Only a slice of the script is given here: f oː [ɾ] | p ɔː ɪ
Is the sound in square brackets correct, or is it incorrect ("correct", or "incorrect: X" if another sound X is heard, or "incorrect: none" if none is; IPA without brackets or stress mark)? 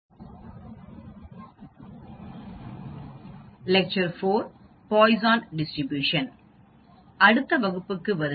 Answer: correct